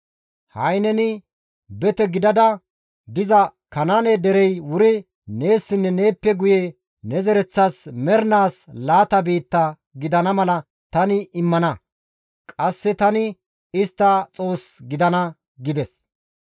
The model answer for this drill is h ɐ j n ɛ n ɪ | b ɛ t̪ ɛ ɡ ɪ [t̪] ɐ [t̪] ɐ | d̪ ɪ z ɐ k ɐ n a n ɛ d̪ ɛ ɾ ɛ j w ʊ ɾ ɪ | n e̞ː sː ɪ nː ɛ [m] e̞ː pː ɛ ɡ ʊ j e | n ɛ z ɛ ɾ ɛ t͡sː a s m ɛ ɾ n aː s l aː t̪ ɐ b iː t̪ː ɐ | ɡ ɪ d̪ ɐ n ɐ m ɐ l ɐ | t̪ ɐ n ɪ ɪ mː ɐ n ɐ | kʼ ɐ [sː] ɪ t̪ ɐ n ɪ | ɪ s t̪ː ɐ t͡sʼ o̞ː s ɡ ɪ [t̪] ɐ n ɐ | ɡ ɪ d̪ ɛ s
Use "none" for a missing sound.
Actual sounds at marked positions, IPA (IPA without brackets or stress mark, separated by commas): d̪, d̪, n, sː, d̪